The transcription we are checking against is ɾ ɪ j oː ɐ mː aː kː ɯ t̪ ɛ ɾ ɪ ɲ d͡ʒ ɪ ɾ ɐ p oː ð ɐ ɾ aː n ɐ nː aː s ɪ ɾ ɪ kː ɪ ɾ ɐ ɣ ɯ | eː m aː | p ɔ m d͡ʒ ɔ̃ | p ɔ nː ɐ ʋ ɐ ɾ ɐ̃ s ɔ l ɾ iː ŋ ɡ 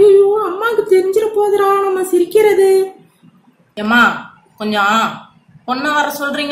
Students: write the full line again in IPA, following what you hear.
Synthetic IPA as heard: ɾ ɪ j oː ɐ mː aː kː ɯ t̪ ɛ ɾ ɪ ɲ d͡ʒ ɪ ɾ ɐ p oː ð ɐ ɾ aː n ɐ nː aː s ɪ ɾ ɪ kː ɪ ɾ ɐ ð ɯ | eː m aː | k ɔ ɲ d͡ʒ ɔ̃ | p ɔ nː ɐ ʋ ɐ ɾ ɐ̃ s ɔ l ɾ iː ŋ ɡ